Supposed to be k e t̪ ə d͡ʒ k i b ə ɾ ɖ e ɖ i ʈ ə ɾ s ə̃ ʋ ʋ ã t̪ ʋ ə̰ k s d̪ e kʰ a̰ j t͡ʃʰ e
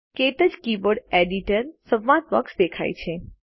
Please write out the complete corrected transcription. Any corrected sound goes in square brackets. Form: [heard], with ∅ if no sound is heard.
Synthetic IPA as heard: k e t̪ ə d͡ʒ k i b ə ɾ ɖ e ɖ i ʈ ə ɾ s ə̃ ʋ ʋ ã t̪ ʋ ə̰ k s d̪ e kʰ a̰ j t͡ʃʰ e